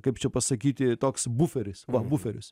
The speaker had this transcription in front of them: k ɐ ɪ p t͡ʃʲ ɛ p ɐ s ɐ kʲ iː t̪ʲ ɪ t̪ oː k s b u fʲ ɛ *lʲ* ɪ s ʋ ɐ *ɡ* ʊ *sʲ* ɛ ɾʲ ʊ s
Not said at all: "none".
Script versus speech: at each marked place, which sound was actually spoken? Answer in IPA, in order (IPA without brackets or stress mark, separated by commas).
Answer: ɾʲ, b, fʲ